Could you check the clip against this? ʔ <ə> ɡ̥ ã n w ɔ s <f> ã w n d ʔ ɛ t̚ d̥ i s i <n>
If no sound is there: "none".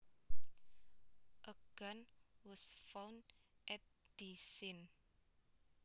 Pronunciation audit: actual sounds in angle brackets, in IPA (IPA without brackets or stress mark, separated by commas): ə, f, n